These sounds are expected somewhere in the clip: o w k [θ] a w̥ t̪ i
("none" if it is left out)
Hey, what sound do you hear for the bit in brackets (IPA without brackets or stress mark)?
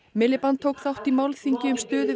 θ